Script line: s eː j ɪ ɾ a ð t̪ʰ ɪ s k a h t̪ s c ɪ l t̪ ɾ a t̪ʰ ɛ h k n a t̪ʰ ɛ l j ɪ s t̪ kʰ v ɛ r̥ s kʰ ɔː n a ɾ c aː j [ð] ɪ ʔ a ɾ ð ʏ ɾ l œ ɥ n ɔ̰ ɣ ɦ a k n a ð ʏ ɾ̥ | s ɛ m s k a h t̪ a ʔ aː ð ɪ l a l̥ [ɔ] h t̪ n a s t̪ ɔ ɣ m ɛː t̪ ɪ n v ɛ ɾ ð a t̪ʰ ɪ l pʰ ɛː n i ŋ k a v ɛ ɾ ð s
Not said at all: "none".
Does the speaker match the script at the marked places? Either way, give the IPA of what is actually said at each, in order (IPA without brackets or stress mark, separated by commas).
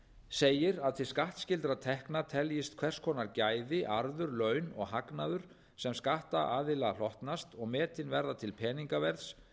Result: ð, ɔ